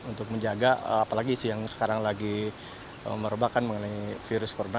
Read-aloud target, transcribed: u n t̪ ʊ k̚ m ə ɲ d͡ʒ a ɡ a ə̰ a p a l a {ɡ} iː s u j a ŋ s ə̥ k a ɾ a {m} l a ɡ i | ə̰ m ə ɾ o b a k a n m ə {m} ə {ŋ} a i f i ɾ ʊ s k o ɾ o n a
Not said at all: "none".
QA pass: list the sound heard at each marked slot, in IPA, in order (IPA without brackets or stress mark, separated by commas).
ɡ, ŋ, ŋ, n